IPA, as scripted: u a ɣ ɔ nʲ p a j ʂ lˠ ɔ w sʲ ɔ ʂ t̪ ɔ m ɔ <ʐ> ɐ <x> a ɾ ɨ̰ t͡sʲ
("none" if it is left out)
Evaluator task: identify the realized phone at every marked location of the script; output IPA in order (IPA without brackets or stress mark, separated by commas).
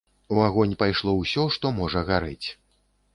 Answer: ʐ, ɣ